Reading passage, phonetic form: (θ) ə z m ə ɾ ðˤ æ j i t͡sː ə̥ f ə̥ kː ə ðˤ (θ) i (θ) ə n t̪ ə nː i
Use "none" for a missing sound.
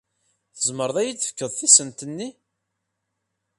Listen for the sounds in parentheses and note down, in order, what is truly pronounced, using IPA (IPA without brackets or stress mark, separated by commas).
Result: θ, θ, s